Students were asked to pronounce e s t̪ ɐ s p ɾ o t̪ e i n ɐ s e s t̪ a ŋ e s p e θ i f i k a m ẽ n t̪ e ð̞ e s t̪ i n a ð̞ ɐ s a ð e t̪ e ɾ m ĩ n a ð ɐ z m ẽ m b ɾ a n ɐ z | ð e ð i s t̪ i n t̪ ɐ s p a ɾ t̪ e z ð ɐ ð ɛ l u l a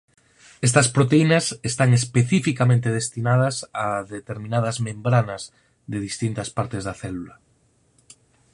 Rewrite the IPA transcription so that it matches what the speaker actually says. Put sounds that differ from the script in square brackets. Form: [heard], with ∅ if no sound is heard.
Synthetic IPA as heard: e s t̪ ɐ s p ɾ o t̪ e i n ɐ s e s t̪ a ŋ e s p e θ i f i k a m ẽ n t̪ e ð̞ e s t̪ i n a ð̞ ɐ s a ð e t̪ e ɾ m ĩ n a ð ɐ z m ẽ m b ɾ a n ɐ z | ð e ð i s t̪ i n t̪ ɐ s p a ɾ t̪ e z ð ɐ [θ] ɛ l u l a